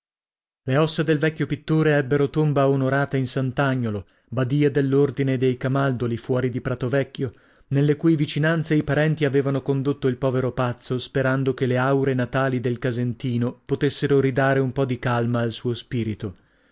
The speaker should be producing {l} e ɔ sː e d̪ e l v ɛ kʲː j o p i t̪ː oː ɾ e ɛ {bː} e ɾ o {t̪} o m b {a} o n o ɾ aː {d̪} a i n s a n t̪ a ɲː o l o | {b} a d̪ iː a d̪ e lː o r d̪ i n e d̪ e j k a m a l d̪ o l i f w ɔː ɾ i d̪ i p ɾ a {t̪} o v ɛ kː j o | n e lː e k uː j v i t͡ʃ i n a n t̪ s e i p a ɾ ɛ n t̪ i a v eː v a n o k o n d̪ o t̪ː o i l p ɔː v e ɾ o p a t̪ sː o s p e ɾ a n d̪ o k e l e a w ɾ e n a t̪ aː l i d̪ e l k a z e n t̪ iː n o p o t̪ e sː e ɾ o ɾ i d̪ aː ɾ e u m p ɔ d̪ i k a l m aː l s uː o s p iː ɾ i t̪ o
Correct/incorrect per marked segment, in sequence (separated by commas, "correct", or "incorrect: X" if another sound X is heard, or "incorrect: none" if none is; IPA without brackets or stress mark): correct, correct, correct, correct, incorrect: t̪, correct, correct